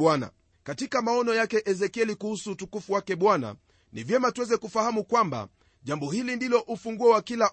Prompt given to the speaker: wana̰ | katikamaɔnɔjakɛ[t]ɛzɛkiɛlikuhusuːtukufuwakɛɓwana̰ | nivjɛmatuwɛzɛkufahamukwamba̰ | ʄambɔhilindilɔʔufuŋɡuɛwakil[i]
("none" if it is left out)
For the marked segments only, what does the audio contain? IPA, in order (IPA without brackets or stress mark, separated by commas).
ʔ, a